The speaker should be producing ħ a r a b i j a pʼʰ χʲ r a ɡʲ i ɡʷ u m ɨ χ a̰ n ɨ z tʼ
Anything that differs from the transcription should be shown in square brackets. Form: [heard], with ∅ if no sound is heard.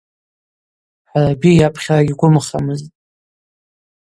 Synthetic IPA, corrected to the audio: ħ a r a b i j a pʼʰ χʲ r a ɡʲ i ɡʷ [ʊ] m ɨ χ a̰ [m] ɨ z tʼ